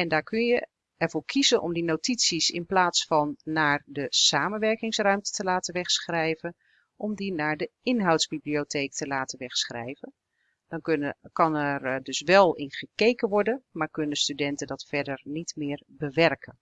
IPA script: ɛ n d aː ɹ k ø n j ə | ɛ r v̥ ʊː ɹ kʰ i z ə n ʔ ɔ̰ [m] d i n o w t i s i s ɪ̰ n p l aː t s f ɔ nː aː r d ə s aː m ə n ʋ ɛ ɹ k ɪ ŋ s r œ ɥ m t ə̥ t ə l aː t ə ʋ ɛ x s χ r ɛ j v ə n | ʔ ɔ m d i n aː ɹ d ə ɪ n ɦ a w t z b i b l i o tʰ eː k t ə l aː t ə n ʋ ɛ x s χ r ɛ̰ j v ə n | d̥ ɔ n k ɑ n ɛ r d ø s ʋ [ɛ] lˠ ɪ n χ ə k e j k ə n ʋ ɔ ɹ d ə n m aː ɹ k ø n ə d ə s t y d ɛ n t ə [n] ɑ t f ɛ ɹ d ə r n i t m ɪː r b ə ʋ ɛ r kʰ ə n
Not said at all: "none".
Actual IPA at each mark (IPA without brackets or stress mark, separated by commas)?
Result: m, ɛ, d